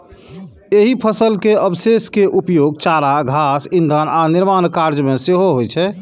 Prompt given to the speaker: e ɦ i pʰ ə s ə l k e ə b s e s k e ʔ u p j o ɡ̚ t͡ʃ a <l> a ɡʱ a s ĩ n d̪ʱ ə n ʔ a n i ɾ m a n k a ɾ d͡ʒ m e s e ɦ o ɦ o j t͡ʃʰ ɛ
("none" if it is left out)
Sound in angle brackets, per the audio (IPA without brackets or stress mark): ɾ